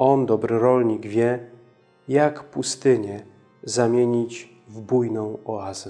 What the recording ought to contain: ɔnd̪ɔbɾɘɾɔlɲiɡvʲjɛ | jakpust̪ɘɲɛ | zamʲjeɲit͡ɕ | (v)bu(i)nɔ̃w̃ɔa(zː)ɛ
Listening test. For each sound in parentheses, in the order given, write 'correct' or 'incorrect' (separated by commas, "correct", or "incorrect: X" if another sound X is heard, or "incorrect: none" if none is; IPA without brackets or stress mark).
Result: correct, incorrect: j, incorrect: z